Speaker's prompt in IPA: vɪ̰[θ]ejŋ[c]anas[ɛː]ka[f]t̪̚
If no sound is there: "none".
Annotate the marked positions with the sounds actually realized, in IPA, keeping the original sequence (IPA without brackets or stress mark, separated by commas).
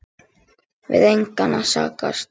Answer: ð, k, aː, s